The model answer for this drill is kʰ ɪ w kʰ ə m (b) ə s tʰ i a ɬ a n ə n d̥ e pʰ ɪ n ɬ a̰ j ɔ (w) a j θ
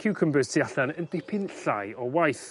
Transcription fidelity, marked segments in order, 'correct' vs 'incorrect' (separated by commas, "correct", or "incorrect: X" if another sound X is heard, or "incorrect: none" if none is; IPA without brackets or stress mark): correct, correct